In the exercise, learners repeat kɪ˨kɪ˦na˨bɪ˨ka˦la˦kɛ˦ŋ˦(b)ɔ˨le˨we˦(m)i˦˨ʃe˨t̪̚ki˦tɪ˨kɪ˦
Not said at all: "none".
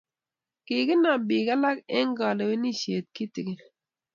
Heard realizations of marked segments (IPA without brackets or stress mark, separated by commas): ɡ, n